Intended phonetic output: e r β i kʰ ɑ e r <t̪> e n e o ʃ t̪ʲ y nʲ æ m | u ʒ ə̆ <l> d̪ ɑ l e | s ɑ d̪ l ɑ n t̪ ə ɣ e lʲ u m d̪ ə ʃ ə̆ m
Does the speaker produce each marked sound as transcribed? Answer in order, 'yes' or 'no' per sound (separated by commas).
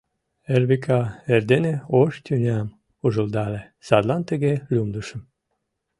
no, yes